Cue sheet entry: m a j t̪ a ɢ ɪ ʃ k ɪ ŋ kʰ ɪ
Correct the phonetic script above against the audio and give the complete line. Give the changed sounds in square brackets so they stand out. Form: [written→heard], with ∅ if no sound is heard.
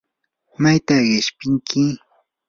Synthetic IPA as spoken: m a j t̪ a ɢ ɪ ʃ [k→p] ɪ ŋ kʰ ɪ